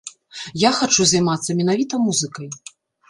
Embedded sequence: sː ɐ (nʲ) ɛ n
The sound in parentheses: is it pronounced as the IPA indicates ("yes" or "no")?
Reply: no